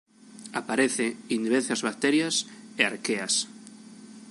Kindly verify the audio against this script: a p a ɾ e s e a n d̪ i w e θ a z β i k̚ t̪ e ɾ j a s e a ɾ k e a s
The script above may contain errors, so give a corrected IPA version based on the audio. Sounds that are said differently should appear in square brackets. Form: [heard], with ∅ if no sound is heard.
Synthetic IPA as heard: a p a ɾ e [θ] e [i] n d̪ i [β] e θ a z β [a] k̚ t̪ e ɾ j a s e a ɾ k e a s